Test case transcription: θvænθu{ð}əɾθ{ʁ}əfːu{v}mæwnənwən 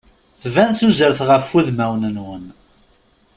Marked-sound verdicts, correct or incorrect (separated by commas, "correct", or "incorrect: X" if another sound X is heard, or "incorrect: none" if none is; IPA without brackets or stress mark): incorrect: z, correct, incorrect: ð